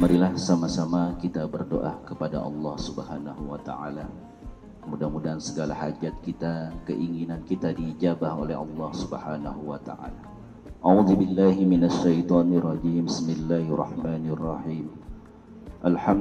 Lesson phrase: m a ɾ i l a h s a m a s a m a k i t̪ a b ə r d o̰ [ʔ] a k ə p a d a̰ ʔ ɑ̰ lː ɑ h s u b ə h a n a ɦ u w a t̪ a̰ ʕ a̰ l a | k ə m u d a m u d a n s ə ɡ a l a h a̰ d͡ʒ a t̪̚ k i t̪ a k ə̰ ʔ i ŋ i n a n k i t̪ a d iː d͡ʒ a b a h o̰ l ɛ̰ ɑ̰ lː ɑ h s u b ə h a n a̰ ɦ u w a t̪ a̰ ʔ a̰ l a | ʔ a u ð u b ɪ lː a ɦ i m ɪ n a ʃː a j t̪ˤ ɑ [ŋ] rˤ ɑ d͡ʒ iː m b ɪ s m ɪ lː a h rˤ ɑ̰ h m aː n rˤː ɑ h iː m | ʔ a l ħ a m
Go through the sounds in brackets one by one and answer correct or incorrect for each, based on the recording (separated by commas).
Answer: correct, incorrect